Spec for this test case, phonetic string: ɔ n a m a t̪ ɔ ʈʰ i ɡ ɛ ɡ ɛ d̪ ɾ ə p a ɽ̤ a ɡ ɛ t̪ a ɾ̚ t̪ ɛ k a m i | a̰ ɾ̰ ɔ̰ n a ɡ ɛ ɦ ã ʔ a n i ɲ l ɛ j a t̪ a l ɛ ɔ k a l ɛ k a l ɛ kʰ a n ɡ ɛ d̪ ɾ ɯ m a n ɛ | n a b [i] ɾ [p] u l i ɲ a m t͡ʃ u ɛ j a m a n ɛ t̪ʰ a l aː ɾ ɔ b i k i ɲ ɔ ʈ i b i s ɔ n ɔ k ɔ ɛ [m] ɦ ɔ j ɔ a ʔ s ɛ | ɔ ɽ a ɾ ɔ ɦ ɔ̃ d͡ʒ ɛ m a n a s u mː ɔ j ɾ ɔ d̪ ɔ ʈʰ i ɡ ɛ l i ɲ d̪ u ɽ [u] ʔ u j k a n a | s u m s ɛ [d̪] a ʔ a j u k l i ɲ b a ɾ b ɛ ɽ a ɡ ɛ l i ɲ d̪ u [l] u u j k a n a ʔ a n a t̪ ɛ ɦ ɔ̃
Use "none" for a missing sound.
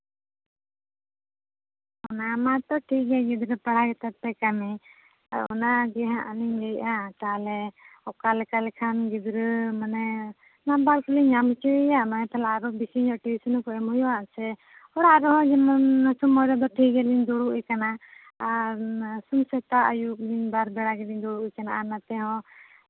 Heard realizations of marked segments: a, k, m, u, t̪, ɽ

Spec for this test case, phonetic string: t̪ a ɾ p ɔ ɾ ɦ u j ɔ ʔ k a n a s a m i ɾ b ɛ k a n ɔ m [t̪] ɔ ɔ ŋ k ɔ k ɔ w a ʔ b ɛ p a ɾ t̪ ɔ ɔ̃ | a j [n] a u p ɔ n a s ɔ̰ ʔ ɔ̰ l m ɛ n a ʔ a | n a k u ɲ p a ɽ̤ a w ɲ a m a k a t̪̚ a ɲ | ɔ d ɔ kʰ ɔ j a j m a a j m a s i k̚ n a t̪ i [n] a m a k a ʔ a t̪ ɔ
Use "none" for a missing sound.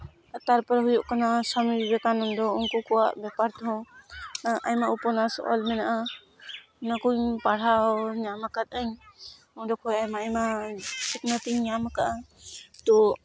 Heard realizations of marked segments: d̪, m, ɲ

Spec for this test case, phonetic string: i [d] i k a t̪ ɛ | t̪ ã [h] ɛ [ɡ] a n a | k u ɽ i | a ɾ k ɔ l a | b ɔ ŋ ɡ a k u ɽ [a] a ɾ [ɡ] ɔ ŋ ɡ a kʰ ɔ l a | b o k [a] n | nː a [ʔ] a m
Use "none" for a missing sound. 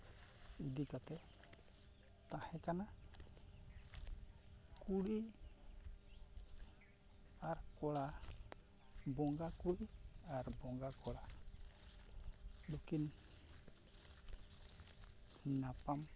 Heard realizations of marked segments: d, h, k, i, b, i, p

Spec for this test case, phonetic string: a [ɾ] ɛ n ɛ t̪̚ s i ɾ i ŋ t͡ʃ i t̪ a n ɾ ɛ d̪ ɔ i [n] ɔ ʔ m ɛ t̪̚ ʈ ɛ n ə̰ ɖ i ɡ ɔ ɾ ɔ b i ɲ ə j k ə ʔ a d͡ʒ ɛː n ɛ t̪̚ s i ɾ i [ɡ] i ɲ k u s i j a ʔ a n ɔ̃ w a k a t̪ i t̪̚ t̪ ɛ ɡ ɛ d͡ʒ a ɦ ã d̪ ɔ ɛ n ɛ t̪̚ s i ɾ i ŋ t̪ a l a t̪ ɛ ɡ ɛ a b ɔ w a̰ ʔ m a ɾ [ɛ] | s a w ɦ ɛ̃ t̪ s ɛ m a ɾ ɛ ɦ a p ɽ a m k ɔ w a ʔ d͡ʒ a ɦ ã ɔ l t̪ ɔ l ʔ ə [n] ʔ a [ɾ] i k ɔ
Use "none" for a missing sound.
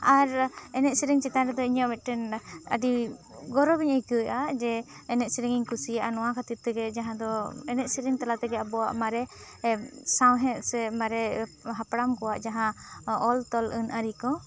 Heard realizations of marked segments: ɾ, ɲ, ŋ, ɛ, n, ɾ

